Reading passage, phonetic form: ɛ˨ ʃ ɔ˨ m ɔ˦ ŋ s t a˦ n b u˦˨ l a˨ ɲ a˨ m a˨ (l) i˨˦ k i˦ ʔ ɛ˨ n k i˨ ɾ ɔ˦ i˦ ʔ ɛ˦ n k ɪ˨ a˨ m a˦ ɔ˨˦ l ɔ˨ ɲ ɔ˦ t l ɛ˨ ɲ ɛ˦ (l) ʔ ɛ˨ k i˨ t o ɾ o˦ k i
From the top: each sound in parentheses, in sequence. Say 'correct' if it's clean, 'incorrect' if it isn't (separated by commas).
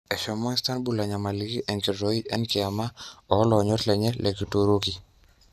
correct, correct